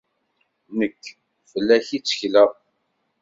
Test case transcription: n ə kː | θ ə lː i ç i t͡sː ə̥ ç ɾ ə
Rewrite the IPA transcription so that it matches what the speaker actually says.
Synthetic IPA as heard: n ə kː | f ə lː æ ç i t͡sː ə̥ ç l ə

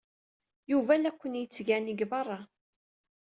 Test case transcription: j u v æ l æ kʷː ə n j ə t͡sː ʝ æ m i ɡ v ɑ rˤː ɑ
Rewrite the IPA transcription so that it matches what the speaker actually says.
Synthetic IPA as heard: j u v æ l æ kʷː ə n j ə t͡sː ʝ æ n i ɡ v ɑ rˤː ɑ

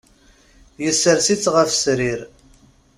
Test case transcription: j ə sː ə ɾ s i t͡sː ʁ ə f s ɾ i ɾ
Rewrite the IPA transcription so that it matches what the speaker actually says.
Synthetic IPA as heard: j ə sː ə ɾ s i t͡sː ʁ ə f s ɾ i ɾ

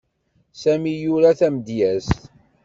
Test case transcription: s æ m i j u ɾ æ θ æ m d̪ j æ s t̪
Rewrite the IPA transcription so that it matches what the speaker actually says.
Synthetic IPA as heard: s æ m i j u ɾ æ θ æ m d̪ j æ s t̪

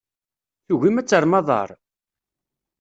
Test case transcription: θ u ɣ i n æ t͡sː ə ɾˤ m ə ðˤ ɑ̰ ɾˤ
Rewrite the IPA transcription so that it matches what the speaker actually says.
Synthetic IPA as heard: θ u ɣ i m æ t͡sː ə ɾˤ m ɑ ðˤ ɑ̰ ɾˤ

